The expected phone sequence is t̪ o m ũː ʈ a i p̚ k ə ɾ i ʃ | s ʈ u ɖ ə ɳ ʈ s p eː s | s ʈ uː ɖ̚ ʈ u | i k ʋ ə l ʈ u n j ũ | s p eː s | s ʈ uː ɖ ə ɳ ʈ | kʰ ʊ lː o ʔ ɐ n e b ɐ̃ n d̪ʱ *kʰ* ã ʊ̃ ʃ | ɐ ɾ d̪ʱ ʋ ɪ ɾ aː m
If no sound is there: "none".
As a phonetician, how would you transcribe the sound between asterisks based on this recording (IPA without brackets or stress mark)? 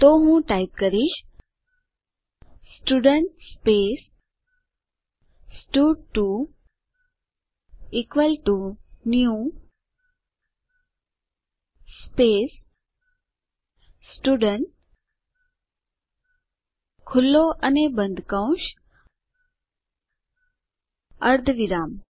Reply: k